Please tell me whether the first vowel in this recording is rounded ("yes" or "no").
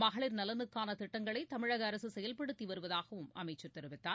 no